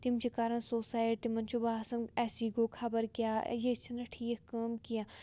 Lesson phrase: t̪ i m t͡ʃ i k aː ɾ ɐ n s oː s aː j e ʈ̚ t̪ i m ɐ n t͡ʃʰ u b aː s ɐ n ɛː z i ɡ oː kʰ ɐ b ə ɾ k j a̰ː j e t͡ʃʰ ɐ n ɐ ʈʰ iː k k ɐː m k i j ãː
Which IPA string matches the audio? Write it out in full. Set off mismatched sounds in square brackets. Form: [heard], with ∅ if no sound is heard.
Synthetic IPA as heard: t̪ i m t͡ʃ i k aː ɾ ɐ n s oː s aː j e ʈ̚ t̪ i m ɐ n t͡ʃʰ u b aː s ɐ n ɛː [s] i ɡ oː kʰ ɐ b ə ɾ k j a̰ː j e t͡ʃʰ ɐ n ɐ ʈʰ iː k k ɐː m k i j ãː